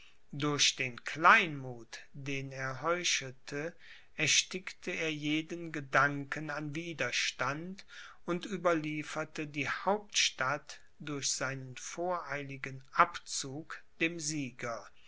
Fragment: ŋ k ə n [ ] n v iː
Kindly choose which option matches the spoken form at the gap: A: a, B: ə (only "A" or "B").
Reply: A